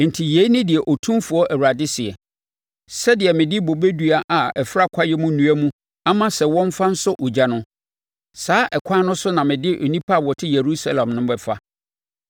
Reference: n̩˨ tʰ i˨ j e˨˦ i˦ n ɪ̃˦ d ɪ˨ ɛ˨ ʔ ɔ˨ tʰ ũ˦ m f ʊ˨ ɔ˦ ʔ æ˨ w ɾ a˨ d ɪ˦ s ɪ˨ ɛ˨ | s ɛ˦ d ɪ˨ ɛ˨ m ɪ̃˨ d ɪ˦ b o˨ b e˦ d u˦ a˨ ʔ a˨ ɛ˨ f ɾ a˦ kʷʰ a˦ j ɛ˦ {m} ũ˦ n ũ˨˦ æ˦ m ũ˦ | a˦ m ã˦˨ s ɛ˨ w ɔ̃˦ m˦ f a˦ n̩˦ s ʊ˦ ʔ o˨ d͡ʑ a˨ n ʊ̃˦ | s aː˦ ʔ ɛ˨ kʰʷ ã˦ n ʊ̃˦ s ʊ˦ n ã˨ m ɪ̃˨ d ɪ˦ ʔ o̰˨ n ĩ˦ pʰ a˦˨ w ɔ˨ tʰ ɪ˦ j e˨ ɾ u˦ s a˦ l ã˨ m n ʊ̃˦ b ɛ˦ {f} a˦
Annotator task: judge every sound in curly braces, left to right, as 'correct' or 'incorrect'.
correct, correct

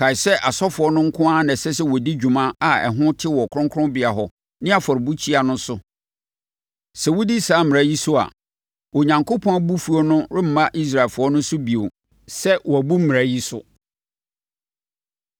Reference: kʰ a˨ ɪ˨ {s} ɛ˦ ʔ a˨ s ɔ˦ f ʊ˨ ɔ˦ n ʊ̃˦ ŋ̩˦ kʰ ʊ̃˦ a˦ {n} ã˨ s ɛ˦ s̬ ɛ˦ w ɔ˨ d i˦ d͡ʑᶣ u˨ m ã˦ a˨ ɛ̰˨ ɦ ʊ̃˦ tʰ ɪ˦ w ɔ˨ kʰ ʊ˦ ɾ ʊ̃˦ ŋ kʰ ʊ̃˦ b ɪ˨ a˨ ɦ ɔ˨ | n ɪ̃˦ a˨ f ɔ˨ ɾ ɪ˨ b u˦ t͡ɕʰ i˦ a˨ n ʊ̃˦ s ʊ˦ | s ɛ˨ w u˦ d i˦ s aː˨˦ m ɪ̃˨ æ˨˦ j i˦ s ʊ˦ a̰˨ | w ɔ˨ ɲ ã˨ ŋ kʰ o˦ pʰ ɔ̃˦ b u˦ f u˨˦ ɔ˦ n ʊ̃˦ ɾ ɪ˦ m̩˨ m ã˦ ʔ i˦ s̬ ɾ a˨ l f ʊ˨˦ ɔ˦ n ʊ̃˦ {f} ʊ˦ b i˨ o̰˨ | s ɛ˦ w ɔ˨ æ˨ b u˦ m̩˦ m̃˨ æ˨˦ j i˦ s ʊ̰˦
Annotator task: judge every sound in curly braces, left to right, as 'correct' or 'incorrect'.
correct, correct, incorrect: s

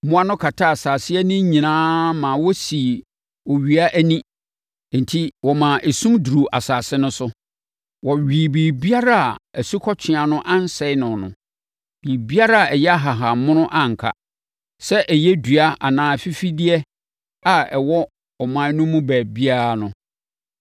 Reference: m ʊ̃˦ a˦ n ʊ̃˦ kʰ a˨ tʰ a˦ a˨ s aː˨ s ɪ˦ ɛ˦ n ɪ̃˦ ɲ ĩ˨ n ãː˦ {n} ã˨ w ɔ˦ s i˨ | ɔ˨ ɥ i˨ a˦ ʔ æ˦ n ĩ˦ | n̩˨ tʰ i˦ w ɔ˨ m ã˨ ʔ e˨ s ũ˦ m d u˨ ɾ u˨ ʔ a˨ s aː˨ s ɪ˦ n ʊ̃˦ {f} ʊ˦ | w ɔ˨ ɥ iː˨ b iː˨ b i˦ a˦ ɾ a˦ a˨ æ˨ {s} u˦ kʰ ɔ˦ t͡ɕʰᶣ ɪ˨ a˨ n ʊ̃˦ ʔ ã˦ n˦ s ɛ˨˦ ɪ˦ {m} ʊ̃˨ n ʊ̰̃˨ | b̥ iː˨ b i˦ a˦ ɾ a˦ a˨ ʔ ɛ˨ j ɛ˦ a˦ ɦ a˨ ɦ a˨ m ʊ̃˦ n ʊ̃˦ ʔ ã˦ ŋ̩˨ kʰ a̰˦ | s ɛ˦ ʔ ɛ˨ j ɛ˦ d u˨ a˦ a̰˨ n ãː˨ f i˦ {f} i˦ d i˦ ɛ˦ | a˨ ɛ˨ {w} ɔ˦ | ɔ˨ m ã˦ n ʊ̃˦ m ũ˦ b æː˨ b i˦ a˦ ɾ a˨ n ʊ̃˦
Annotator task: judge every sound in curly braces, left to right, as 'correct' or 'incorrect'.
incorrect: m, incorrect: s, correct, incorrect: n, correct, correct

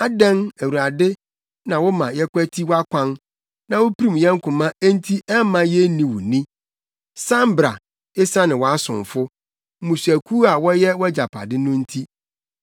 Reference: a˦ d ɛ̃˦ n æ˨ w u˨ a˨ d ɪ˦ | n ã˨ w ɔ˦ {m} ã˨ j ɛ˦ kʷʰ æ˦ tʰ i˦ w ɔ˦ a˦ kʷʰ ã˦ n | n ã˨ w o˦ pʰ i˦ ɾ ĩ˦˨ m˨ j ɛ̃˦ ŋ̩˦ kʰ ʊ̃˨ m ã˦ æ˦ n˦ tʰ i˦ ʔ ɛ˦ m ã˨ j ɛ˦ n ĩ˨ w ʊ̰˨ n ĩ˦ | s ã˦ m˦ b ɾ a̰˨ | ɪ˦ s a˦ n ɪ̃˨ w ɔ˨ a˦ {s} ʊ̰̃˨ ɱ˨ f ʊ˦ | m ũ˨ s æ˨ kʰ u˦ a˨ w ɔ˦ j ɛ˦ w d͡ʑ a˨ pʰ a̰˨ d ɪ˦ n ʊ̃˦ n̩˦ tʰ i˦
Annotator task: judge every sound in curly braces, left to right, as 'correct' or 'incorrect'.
correct, correct

